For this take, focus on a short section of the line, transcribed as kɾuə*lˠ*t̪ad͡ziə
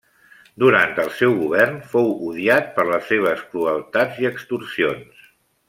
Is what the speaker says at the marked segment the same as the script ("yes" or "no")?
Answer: yes